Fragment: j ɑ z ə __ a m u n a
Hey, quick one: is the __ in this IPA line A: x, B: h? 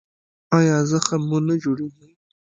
A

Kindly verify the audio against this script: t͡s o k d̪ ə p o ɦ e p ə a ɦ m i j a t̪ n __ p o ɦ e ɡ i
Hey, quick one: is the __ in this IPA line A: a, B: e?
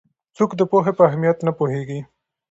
A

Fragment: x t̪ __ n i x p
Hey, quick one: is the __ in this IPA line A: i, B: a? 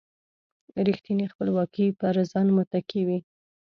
A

